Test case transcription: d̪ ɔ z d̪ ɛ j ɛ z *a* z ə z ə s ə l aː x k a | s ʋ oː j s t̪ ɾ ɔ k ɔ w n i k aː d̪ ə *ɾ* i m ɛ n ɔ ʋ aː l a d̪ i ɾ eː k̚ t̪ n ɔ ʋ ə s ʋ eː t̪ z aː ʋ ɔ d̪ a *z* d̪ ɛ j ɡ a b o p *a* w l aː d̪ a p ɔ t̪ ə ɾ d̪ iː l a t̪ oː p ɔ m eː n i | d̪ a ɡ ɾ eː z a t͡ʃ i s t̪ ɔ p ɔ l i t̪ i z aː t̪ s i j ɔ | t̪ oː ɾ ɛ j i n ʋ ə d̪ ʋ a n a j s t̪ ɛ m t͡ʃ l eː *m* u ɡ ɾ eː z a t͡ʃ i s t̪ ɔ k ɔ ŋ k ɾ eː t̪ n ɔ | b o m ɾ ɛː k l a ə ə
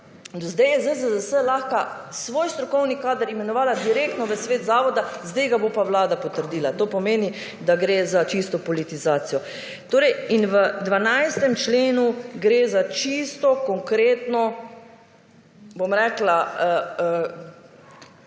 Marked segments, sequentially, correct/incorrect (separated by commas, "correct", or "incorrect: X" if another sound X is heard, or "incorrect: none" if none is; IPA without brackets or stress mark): incorrect: ə, correct, correct, correct, incorrect: n